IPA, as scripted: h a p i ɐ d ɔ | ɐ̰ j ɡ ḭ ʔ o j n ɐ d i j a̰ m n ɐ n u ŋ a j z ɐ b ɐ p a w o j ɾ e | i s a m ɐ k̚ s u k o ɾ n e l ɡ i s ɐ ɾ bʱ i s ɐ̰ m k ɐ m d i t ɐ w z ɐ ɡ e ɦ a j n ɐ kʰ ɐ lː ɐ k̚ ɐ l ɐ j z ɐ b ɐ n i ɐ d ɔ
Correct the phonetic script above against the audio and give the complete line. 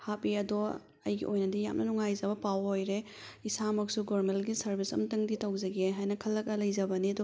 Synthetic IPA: h a p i ɐ d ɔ | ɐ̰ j ɡ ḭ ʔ o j n ɐ d i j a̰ m n ɐ n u ŋ a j z ɐ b ɐ p a w o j ɾ e | i s a m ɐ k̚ s u ɡ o ɾ m e l ɡ i s ɐ ɾ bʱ i s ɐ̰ m t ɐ ŋ d i t ɐ w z ɐ ɡ e ɦ a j n ɐ kʰ ɐ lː ɐ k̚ ɐ l ɐ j z ɐ b ɐ n i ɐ d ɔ